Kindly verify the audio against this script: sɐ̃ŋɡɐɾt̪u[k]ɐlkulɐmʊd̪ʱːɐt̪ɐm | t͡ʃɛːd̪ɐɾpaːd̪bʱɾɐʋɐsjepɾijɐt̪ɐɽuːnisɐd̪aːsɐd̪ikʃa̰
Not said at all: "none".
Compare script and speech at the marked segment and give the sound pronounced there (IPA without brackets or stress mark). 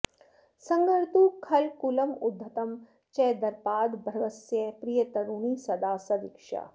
kʰ